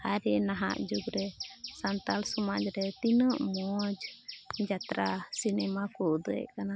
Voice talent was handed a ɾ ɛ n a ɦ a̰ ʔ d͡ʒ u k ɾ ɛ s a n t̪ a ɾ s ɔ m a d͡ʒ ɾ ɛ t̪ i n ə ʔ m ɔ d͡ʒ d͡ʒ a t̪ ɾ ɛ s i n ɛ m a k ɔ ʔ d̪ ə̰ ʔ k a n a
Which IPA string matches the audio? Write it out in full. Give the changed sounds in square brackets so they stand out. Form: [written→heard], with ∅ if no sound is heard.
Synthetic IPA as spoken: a ɾ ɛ n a ɦ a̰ ʔ d͡ʒ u [k→ɡ] ɾ ɛ s a n t̪ a [ɾ→l] s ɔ m a d͡ʒ ɾ ɛ t̪ i n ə ʔ m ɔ d͡ʒ d͡ʒ a t̪ ɾ [ɛ→a] s i n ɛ m a k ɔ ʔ d̪ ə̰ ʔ k a n a